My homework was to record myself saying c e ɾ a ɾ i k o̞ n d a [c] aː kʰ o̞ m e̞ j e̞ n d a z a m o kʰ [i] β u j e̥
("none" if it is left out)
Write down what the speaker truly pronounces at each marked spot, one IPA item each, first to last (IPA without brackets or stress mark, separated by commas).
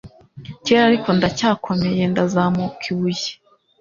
c, i